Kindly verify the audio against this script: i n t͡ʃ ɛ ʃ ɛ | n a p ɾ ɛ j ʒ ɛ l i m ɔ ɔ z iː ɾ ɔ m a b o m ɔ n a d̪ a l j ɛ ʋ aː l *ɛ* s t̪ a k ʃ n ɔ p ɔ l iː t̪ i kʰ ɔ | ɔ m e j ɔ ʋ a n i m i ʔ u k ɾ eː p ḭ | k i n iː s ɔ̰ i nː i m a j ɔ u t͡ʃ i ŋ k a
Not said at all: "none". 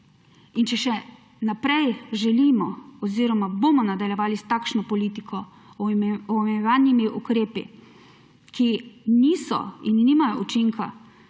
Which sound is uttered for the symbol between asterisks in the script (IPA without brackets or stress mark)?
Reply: i